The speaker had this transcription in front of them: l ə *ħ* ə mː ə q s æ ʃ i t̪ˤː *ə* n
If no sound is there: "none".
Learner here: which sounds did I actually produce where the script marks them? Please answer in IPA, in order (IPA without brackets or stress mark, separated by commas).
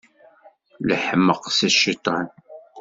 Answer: ħ, ɑ